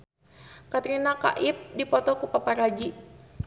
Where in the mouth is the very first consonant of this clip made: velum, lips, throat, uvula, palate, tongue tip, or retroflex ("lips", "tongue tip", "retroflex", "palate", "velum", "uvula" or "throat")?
velum